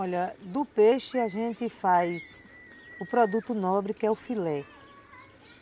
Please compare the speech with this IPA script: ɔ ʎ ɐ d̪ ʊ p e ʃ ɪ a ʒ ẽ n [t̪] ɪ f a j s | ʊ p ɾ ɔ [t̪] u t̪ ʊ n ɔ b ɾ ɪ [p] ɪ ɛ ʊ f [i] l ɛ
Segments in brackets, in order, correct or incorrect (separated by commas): correct, incorrect, incorrect, correct